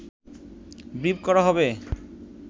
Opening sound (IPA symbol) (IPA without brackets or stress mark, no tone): b